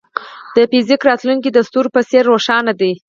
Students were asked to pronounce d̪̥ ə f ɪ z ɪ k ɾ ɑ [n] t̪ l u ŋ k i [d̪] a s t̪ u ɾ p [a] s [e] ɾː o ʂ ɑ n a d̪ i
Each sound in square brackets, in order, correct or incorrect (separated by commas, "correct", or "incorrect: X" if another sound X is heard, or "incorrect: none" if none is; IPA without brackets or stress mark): incorrect: none, correct, incorrect: ə, correct